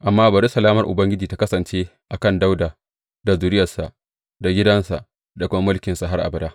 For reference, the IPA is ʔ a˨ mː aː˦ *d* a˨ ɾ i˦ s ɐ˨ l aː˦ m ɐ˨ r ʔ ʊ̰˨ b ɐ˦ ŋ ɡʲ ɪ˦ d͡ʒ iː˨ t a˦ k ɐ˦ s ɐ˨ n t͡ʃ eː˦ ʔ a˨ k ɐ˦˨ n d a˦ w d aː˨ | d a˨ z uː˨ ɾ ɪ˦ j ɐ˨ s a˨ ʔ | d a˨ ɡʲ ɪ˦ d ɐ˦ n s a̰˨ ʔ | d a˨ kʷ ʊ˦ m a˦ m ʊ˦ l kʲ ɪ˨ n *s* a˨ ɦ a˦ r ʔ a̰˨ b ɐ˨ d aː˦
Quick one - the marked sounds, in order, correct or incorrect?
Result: incorrect, correct

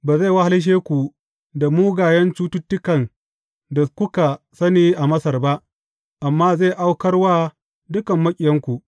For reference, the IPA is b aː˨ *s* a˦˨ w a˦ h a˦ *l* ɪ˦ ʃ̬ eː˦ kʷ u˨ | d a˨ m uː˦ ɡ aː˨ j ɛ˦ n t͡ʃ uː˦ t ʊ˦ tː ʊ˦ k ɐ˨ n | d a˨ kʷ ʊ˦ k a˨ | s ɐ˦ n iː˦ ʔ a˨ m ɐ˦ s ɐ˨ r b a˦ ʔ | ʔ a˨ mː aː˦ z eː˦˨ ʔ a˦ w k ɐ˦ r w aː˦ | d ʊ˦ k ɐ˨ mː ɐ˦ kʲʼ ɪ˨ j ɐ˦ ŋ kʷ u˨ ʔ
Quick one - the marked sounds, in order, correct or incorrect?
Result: incorrect, correct

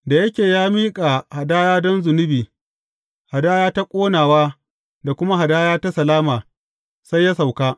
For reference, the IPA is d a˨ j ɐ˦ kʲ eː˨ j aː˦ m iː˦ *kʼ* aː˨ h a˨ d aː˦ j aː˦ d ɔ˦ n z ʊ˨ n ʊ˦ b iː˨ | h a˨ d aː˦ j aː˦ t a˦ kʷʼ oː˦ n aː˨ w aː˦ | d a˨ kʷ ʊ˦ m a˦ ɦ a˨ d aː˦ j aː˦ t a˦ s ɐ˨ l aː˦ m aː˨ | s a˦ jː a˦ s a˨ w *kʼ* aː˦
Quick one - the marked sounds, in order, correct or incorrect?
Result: correct, incorrect

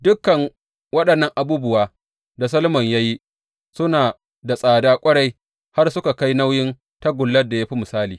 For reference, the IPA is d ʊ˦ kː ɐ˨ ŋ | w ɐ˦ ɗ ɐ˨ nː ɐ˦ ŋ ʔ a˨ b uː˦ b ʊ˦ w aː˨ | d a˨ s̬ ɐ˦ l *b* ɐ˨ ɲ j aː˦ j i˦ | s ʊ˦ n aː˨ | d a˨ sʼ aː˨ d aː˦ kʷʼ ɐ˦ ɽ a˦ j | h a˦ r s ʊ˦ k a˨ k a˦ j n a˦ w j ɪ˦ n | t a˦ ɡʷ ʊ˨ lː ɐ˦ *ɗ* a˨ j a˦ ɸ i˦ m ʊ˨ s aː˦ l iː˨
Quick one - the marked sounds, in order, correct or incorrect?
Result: incorrect, incorrect

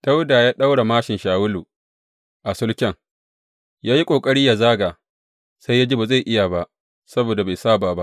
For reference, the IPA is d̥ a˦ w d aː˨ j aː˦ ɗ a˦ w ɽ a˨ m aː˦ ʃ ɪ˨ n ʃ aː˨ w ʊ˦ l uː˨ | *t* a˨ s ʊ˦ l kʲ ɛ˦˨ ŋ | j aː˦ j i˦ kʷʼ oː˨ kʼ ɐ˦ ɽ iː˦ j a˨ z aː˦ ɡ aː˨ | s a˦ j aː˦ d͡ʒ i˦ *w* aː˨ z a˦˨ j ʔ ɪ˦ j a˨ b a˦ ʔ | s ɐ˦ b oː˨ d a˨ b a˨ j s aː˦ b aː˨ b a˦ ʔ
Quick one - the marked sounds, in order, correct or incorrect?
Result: incorrect, incorrect

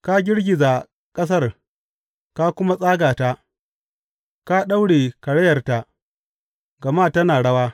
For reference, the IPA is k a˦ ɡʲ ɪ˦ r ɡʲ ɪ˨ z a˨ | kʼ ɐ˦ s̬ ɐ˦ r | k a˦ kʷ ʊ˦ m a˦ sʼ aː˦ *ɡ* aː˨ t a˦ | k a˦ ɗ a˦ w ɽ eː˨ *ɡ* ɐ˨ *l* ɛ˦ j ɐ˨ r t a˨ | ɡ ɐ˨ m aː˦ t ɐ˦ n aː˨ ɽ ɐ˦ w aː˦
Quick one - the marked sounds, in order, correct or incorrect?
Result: correct, incorrect, incorrect

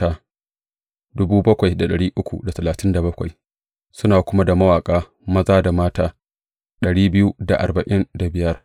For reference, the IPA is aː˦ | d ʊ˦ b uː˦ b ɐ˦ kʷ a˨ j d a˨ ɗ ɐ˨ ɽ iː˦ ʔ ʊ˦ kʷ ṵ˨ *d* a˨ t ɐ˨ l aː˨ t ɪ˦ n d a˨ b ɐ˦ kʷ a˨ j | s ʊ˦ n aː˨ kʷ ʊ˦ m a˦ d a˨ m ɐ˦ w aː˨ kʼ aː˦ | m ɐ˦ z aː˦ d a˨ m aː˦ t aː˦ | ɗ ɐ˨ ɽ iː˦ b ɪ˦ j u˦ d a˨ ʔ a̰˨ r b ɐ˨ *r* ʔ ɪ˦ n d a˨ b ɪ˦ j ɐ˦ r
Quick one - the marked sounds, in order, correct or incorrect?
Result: correct, incorrect

